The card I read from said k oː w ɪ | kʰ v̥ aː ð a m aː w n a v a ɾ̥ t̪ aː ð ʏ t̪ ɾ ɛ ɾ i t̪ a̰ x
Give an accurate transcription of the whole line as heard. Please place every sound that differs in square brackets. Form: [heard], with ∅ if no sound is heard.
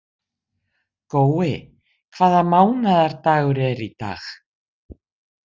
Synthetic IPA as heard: k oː w ɪ | kʰ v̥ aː ð a m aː w n a [ð] a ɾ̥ t̪ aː [ɣ] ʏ [∅] ɾ ɛ ɾ i t̪ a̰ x